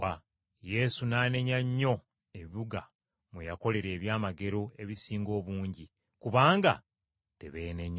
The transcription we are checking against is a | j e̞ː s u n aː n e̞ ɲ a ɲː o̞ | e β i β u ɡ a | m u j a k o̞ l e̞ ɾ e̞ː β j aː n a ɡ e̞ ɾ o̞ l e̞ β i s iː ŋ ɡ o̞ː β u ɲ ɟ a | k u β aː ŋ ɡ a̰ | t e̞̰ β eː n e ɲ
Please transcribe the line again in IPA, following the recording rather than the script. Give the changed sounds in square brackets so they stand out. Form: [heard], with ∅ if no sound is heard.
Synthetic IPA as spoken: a | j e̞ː s u n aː n e̞ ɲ a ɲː o̞ | e β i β u ɡ a | m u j a k o̞ l e̞ ɾ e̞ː β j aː [m] a ɡ e̞ ɾ o̞ [∅] e̞ β i s iː ŋ ɡ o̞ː β [uː] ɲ ɟ [i] | k u β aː ŋ ɡ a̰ | t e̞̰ β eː n e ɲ